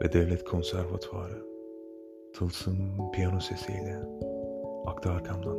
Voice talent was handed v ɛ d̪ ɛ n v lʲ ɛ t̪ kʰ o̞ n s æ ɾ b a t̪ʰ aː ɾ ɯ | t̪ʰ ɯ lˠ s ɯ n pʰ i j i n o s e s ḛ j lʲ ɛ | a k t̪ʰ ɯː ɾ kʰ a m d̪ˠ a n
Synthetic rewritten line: v ɛ d̪ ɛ v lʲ ɛ t̪ kʰ o̞ n s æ ɾ v a t̪ʰ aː ɾ ɯ | t̪ʰ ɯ lˠ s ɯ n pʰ i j a n o s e s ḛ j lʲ ɛ | a k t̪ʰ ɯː ɾ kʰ a m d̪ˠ a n